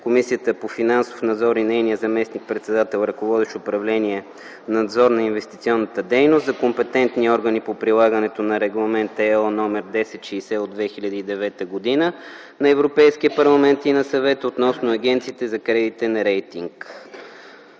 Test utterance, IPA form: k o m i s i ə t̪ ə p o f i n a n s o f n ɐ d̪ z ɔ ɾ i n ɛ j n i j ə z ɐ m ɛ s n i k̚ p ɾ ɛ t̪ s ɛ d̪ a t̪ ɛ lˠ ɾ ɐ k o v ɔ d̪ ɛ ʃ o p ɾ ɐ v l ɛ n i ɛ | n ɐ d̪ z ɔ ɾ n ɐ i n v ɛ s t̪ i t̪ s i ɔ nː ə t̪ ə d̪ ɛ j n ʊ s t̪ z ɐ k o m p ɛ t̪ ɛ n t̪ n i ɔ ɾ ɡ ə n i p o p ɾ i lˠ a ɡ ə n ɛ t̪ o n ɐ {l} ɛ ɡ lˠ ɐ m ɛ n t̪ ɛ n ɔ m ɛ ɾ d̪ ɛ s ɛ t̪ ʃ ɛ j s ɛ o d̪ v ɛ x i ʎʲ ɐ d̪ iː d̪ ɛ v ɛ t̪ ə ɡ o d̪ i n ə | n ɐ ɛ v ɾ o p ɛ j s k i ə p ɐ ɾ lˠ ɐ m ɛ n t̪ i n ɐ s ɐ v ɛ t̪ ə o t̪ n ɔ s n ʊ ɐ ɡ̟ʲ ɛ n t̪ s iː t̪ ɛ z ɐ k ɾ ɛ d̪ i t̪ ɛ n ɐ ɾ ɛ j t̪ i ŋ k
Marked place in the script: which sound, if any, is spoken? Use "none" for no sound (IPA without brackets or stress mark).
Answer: ɾ